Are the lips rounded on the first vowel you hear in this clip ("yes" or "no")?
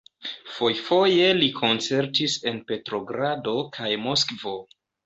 yes